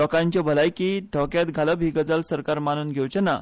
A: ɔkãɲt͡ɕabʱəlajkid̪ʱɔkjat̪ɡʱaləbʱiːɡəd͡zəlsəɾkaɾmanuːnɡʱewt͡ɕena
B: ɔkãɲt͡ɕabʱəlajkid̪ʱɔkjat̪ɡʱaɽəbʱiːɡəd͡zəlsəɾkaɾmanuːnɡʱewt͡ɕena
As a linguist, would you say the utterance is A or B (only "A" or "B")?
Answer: A